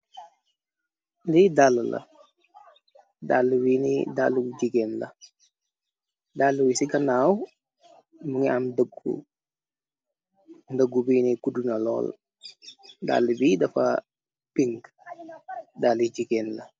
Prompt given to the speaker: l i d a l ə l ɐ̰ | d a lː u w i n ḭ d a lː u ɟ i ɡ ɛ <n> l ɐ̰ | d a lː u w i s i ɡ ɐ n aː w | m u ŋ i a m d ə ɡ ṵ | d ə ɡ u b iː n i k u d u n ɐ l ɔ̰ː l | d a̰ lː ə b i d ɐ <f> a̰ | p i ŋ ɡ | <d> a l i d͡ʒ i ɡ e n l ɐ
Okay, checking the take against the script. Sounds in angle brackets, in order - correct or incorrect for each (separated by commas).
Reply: correct, correct, correct